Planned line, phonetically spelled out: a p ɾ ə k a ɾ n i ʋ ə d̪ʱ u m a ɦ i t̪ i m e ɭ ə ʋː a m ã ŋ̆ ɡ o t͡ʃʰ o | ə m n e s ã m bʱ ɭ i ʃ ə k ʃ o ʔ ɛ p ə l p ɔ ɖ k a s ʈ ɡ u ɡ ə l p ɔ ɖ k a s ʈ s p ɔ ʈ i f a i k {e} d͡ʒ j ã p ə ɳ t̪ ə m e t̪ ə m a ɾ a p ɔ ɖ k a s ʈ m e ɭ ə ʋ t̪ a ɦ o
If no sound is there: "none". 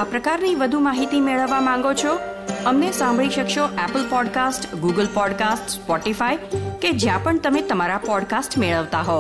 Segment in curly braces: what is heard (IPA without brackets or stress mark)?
e